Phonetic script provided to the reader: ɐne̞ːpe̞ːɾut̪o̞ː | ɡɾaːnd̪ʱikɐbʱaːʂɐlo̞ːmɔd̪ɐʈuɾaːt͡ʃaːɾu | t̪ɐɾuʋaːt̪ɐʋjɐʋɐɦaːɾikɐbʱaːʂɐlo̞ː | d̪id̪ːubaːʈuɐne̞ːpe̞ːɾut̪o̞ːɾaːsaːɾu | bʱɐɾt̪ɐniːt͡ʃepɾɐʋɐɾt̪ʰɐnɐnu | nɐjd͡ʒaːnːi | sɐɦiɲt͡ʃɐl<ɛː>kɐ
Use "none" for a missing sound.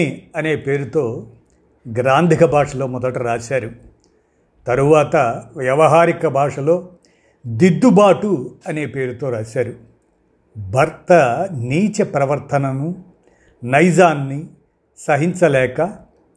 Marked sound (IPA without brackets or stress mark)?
ɛː